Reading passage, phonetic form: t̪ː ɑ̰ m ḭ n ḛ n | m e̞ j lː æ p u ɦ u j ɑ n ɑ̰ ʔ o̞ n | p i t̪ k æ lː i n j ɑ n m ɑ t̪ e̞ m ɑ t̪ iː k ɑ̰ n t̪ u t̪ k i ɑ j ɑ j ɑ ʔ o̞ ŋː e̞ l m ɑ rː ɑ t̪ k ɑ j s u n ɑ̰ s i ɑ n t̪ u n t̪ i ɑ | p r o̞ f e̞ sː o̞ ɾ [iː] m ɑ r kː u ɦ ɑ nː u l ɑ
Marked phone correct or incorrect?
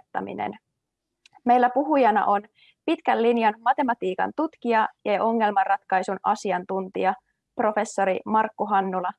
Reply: incorrect